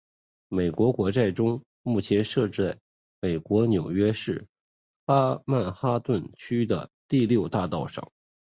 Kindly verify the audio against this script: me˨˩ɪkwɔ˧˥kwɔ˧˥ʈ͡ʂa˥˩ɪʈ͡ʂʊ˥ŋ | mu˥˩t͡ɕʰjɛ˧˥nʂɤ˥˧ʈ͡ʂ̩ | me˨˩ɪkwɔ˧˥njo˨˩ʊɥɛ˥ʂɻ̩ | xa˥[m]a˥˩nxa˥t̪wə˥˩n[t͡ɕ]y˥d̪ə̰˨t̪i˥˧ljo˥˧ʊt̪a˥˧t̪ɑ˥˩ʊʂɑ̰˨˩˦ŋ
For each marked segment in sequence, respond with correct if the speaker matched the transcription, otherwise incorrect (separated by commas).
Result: correct, incorrect